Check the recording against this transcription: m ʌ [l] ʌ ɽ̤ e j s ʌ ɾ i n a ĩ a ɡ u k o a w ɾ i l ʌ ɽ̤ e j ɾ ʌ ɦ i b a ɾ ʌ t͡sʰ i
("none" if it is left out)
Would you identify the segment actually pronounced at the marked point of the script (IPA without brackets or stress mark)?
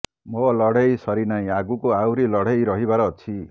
l